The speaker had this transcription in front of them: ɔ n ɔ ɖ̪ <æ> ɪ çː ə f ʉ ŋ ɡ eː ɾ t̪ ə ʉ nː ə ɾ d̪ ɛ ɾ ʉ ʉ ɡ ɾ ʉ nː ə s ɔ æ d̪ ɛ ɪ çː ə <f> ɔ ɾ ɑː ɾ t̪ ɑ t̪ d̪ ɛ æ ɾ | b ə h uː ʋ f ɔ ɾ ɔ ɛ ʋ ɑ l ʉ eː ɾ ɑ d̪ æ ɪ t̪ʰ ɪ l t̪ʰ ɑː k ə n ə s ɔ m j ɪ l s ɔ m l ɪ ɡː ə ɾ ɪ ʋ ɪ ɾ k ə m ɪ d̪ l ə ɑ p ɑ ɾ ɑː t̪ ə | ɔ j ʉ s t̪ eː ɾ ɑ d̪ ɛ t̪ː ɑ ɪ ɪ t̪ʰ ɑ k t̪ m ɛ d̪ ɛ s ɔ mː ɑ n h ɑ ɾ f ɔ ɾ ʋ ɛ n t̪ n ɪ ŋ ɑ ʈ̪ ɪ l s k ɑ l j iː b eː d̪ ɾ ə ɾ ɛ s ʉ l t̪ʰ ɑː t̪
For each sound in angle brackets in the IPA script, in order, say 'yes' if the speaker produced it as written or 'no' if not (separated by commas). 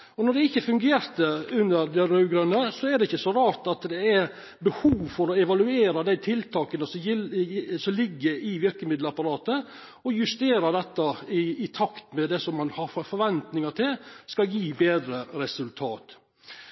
no, no